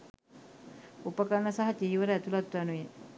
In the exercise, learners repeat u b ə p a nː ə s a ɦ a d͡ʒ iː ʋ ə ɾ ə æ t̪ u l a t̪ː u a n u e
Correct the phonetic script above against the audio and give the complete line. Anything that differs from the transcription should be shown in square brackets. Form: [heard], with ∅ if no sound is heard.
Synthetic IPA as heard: u [p] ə [k] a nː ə s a ɦ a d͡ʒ iː ʋ ə ɾ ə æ t̪ u l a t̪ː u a n u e